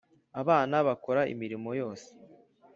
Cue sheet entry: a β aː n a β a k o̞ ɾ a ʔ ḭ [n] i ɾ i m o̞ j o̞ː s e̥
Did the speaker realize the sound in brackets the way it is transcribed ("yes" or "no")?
no